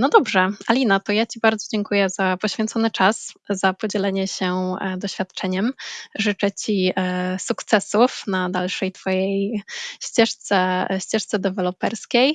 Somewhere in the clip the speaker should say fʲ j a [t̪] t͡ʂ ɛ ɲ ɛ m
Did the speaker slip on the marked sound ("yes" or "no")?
no